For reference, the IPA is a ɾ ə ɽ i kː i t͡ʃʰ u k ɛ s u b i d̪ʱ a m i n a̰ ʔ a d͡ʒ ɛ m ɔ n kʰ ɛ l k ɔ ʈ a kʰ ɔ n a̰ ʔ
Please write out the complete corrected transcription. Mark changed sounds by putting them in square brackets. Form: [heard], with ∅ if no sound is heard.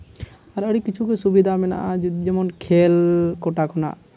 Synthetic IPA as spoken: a ɾ ə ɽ i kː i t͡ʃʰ u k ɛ s u b i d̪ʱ a m [ɛ] n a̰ ʔ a d͡ʒ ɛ m ɔ n kʰ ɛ l k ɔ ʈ a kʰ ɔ n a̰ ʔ